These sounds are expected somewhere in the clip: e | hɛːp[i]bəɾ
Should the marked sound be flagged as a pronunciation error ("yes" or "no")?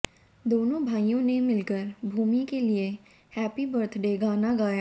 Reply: no